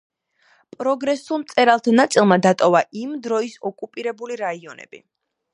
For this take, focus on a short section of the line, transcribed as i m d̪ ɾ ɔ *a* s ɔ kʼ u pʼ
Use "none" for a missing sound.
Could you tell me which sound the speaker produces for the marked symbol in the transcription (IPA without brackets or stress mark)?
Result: i